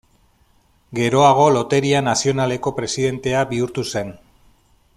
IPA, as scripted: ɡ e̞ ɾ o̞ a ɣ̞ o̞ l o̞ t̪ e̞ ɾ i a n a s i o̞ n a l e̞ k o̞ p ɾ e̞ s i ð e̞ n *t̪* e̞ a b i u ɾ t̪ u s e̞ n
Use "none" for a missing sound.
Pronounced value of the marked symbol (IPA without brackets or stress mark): t̪